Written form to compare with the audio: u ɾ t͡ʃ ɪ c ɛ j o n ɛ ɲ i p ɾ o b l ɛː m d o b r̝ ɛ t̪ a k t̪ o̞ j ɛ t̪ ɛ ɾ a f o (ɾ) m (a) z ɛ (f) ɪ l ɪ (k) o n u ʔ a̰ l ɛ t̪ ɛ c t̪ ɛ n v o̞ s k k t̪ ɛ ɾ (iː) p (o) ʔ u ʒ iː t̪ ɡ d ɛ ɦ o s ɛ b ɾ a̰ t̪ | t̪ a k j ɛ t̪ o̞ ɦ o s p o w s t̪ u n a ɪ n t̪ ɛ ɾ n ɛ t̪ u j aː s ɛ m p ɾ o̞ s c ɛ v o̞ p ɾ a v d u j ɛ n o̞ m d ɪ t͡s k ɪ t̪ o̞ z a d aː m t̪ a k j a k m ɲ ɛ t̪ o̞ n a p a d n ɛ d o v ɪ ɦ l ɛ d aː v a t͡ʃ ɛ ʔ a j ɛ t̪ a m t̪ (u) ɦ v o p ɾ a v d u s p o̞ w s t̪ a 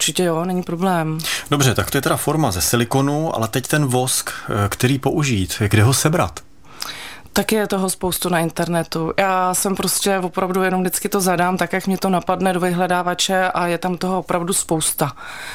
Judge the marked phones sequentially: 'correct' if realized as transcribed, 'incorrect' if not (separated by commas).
correct, correct, incorrect, correct, correct, correct, incorrect